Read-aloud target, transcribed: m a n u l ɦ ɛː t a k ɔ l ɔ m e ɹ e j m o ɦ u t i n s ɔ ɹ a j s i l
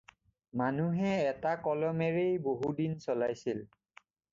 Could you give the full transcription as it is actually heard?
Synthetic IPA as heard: m a n u ɦ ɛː t a k ɔ l ɔ m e ɹ e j b o ɦ u d i n s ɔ l a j s i l